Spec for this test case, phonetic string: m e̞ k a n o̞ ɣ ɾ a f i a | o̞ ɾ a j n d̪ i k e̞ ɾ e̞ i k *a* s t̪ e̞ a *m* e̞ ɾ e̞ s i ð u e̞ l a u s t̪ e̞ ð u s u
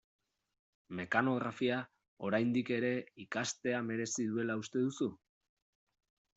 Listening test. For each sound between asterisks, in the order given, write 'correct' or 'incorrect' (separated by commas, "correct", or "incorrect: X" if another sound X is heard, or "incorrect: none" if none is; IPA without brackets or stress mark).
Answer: correct, correct